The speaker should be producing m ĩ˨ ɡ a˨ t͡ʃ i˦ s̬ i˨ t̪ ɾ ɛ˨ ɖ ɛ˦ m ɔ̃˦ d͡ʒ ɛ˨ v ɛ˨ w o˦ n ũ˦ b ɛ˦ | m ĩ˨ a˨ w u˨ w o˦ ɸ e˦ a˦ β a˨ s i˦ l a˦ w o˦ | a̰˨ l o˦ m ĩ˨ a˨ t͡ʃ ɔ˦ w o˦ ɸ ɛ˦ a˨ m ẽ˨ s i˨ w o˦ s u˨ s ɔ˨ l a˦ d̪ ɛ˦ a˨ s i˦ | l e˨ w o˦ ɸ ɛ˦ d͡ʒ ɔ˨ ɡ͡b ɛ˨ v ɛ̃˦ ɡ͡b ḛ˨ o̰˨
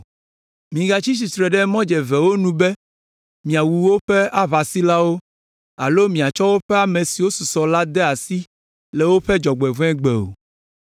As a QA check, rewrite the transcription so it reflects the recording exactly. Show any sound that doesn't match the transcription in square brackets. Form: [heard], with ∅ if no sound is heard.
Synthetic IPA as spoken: m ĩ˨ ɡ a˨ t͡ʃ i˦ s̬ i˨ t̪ ɾ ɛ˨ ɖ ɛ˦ m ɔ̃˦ d͡ʒ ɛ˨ v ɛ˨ w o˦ n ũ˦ b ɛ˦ | m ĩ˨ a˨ w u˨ w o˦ ɸ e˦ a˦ β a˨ s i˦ l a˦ w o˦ | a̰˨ l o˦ m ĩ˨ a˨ t͡ʃ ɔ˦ w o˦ ɸ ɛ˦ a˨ m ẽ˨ s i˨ w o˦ s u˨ s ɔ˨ l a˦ d̪ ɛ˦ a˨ s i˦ | l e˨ w o˦ ɸ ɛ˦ d͡ʒ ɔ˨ ɡ͡b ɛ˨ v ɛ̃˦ ɡ͡b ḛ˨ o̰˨